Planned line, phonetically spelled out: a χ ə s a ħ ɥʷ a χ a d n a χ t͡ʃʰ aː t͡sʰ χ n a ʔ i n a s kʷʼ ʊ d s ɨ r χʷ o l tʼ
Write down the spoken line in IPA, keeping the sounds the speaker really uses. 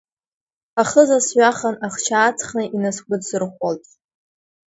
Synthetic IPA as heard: a χ ə z a s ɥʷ a χ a n a χ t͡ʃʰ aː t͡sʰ χ n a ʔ i n a s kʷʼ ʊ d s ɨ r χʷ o l tʼ

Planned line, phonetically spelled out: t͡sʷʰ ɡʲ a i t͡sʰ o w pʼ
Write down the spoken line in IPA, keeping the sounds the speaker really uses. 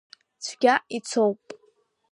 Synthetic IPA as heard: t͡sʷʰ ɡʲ a i t͡sʰ o w pʼ

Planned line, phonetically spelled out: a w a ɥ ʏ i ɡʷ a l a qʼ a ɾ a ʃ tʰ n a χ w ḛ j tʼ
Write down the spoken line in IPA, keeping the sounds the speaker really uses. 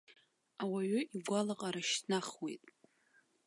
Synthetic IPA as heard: a w a ɥ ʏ i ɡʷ a l a qʼ a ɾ a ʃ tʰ n a χ w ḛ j tʼ

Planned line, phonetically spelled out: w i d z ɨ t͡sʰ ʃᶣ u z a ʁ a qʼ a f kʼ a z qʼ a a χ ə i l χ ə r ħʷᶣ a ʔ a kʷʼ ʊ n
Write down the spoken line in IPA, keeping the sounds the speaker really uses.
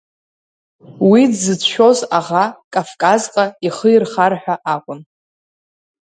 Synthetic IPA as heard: w i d z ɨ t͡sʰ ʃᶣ o z a ʁ a kʼ a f kʼ a z qʼ a i χ ə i r χ a r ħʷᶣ a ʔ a kʷʼ ʊ n

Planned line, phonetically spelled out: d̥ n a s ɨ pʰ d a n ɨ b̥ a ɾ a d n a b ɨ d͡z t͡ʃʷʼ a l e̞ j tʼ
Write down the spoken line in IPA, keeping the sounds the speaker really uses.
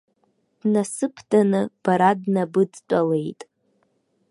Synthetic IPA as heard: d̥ n a s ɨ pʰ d a n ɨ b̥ a ɾ a d n a b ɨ d͡z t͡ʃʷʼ a l e̞ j tʼ

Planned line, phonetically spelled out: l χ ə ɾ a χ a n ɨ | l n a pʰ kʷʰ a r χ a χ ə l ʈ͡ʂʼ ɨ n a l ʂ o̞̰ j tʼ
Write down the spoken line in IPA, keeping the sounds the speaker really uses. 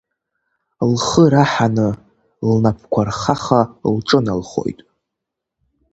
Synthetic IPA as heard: l χ ə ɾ a ħ a n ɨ | l n a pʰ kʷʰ a r χ a χ a l ʈ͡ʂʼ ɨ n a l χ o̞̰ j tʼ

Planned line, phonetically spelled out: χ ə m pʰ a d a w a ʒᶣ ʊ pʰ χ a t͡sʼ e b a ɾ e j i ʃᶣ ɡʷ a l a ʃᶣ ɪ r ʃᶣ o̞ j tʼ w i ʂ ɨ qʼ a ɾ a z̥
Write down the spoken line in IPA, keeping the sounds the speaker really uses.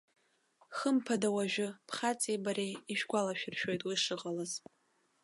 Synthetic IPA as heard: χ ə m pʰ a d a w a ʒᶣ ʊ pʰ χ a t͡sʼ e b a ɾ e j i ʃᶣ ɡʷ a l a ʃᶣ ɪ r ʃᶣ o̞ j tʼ w i ʂ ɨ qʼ a l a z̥

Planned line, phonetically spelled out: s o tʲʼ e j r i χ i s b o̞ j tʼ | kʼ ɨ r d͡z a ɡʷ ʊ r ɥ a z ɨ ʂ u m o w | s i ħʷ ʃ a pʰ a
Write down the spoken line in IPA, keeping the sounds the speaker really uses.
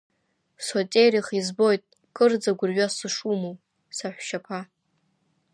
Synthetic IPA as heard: s o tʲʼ e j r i χ i z b o̞ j tʼ | kʼ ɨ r d͡z a ɡʷ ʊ r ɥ a s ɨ ʂ u m o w | s a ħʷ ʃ a pʰ a

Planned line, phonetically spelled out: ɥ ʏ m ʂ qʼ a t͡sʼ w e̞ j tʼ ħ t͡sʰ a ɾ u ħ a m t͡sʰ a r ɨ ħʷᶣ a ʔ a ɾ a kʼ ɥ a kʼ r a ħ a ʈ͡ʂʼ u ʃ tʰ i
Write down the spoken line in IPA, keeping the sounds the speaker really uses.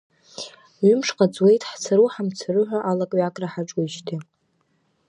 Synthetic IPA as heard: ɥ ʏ m ʂ qʼ a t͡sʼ w e̞ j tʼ ħ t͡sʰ a ɾ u ħ a m t͡sʰ a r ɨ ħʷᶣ a ʔ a l a kʼ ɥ a kʼ r a ħ a ʈ͡ʂʼ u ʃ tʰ i

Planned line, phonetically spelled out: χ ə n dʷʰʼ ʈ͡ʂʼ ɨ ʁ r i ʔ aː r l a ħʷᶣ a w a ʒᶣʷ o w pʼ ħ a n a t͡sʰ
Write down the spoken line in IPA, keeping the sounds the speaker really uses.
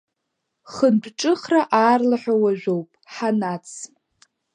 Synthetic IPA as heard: χ ə n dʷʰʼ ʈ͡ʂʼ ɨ χ r a ʔ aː r l a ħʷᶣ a w a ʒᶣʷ o w pʼ ħ a n a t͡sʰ

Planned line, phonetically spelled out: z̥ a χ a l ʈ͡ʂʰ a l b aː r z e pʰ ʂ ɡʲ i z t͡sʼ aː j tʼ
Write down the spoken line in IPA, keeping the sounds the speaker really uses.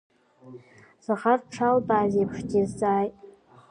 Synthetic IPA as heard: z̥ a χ a r ʈ͡ʂʰ a l b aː z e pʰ ʂ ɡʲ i z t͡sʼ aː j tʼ

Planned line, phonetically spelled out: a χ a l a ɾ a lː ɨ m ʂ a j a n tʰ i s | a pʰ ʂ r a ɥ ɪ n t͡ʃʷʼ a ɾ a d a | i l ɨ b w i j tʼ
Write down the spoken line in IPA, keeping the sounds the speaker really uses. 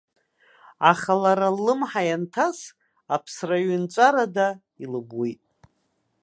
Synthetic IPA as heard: a χ a l a ɾ a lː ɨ m ħ a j a n tʰ a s | a pʰ s r a ɥ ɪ n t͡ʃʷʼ a ɾ a d a | i l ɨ b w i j tʼ

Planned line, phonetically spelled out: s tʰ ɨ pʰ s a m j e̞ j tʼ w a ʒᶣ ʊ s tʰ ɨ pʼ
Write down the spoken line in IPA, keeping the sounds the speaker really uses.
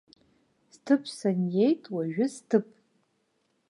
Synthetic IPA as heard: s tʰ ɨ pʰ s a n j e̞ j tʼ w a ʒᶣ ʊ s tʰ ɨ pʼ

